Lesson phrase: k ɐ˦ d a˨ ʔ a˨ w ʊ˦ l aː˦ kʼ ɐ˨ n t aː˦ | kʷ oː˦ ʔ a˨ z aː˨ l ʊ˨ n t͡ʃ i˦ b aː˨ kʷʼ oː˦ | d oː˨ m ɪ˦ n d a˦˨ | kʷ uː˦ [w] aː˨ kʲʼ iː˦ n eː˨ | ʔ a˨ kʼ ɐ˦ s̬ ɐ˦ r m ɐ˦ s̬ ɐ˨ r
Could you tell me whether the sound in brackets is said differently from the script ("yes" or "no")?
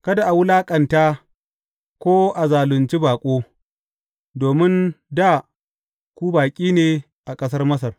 yes